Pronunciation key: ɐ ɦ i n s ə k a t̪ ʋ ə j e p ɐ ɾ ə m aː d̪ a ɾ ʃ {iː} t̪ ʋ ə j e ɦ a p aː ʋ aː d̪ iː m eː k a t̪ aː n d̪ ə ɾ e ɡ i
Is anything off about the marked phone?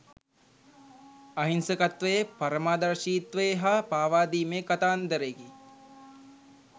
no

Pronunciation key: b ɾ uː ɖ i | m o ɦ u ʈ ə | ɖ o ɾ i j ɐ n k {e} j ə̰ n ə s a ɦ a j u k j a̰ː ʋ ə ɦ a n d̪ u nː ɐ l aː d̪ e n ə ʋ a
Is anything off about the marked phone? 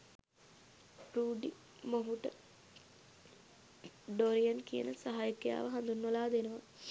yes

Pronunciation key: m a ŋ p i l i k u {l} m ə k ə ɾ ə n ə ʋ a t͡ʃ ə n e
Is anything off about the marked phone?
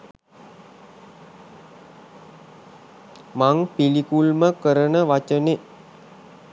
no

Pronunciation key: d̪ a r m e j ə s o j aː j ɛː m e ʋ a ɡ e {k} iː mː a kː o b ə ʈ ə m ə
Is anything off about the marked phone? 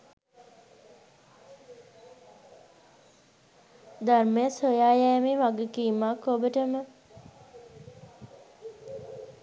no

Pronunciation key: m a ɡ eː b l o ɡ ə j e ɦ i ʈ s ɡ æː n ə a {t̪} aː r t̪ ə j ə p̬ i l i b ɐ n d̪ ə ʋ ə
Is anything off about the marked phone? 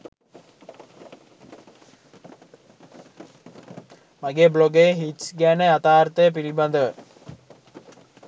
no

